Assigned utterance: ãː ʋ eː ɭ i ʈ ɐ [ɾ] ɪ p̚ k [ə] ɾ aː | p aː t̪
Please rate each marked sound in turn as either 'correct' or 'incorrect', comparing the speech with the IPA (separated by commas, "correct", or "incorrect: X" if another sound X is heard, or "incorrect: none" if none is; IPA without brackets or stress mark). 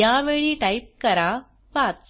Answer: incorrect: none, incorrect: ɐ